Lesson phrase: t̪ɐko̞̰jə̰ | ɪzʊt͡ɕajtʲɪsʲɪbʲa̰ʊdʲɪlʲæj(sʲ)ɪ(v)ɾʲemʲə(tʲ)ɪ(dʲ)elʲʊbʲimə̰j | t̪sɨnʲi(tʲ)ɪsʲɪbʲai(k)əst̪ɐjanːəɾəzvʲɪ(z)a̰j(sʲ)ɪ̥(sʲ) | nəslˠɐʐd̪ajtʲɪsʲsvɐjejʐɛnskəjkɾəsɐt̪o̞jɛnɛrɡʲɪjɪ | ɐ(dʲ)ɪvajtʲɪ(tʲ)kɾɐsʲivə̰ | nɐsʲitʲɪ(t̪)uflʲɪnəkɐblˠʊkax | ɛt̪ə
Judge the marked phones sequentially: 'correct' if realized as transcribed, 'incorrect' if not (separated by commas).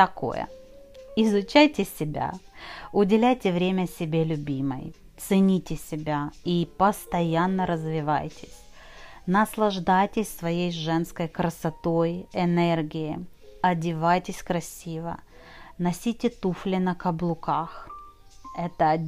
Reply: incorrect, correct, incorrect, incorrect, correct, incorrect, incorrect, incorrect, correct, correct, incorrect, correct